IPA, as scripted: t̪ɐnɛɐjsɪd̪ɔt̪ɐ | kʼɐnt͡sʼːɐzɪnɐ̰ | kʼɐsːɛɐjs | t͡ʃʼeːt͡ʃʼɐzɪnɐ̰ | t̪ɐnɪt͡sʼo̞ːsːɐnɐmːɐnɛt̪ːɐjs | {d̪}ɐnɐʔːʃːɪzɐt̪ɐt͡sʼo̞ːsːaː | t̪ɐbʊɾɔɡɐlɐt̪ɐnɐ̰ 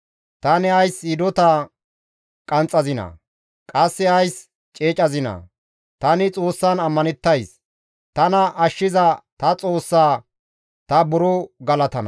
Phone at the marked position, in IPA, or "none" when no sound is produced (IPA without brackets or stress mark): t̪